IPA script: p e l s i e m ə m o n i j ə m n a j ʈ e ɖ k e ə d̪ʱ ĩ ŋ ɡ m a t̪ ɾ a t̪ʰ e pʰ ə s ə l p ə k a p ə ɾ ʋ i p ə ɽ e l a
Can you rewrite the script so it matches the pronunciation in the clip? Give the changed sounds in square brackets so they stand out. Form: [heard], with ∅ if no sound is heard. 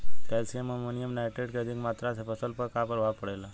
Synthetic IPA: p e l s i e m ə m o n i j ə m n a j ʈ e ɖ k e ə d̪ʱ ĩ ŋ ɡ m a t̪ ɾ a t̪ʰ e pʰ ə s ə l p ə k a p ə ɾ ʋ [a] p ə ɽ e l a